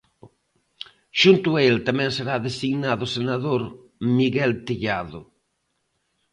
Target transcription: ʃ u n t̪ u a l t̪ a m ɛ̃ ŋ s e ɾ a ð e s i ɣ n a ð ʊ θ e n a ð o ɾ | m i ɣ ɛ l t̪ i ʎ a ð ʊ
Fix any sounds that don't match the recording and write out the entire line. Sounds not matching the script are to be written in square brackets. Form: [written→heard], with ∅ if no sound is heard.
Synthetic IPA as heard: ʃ u n t̪ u [a→e] l t̪ a m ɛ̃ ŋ s e ɾ a ð e s i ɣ n a ð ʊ [θ→s] e n a ð o ɾ | m i ɣ ɛ l t̪ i ʎ a ð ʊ